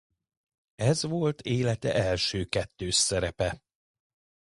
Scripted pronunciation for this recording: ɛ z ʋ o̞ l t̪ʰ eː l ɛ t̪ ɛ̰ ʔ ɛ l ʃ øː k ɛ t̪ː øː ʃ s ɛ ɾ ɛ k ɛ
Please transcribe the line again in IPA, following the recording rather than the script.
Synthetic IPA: ɛ z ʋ o̞ l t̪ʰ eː l ɛ t̪ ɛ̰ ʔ ɛ l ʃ øː k ɛ t̪ː øː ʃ s ɛ ɾ ɛ p ɛ